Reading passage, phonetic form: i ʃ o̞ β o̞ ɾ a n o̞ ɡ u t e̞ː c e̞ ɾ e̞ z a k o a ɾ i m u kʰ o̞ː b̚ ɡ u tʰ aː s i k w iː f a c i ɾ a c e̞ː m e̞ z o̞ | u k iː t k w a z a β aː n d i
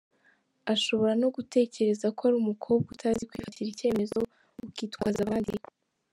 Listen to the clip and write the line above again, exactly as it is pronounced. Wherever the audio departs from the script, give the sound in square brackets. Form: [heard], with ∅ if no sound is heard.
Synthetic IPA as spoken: [a] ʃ o̞ β o̞ ɾ a n o̞ ɡ u t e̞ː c e̞ ɾ e̞ z a k o a ɾ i m u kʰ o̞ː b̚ ɡ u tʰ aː [z] i k w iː f a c i ɾ [i] c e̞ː m e̞ z o̞ | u k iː t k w a z a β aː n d i